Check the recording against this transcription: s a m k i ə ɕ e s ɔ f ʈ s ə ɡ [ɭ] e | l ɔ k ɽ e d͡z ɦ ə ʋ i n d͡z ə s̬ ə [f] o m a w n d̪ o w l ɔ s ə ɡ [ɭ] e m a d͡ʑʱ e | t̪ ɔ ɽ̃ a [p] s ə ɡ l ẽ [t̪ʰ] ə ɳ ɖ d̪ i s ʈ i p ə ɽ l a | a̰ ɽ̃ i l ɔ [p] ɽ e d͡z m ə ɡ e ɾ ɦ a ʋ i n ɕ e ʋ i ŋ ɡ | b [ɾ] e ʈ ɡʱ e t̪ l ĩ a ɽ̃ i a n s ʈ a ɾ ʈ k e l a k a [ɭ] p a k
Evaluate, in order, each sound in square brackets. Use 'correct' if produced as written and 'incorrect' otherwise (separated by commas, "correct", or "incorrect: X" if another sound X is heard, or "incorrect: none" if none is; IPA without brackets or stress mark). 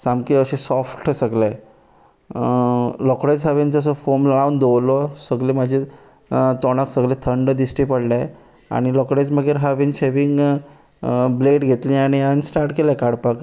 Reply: incorrect: l, correct, incorrect: l, incorrect: k, correct, incorrect: k, incorrect: l, incorrect: ɽ